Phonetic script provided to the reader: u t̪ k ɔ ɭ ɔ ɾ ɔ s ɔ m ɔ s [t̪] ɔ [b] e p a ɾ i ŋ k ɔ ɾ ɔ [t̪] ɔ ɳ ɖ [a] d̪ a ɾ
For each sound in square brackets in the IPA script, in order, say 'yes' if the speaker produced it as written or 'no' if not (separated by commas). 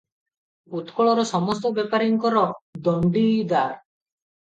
yes, yes, no, no